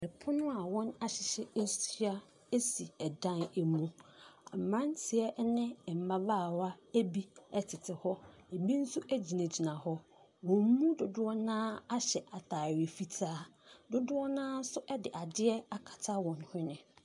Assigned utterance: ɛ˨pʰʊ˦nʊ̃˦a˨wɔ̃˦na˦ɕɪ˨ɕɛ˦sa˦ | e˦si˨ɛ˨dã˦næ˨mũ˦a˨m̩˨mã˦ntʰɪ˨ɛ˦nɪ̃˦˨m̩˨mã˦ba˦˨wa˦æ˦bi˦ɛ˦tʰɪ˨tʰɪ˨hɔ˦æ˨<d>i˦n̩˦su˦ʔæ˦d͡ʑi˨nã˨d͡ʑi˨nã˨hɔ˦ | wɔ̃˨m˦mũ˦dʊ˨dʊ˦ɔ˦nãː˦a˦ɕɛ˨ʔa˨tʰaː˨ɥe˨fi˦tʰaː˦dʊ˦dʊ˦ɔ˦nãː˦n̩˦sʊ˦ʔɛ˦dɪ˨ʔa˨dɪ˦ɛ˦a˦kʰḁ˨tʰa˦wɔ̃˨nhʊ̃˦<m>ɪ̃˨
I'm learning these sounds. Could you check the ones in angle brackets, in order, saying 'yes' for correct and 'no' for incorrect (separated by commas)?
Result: no, no